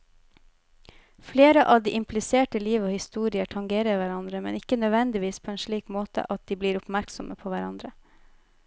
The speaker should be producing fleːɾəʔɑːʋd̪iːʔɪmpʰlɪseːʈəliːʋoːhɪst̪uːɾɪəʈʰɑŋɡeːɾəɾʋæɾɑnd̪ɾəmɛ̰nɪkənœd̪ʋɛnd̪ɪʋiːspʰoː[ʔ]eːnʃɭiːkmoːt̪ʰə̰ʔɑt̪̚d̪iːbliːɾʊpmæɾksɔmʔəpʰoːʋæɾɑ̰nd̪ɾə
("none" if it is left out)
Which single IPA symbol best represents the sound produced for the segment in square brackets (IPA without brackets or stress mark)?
none